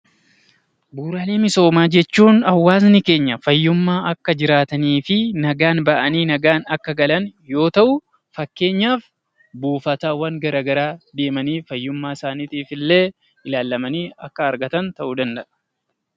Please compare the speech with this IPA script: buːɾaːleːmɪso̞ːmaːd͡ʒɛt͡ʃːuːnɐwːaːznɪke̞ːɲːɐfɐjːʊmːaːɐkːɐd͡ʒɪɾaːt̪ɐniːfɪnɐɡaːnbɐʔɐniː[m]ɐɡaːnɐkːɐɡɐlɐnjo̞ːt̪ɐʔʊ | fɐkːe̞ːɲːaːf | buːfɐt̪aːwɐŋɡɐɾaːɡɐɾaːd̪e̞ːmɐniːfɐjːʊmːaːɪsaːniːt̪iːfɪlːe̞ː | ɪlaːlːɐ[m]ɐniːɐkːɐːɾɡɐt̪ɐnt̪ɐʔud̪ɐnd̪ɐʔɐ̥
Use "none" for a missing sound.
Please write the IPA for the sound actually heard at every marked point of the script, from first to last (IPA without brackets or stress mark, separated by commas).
n, m